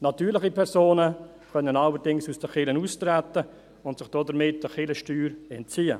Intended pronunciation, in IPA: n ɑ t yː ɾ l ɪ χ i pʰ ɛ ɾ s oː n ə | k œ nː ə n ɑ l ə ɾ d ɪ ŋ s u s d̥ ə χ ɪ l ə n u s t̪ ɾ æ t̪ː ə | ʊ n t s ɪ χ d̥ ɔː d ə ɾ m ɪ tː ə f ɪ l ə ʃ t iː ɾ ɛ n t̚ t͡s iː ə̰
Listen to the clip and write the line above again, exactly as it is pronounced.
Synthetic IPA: n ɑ t yː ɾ l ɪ χ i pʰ ɛ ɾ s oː n ə | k œ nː ə n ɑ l ə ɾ d ɪ ŋ s u s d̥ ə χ ɪ l ə n u s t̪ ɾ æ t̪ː ə | ʊ n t s ɪ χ d̥ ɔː d ə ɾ m ɪ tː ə χ ɪ l ə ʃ t yː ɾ ɛ n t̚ t͡s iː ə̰

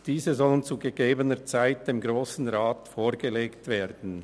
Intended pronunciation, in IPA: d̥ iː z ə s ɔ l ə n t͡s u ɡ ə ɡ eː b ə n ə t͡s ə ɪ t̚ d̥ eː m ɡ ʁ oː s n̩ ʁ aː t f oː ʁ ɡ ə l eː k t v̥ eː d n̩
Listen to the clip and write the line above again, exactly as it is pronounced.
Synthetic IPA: d̥ iː z ə z ɔ l ə n t͡s u ɡ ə ɡ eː b ə n ə t͡s a ɪ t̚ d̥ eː m ɡ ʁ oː s n̩ ʁ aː t f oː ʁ ɡ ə l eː k t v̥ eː d n̩

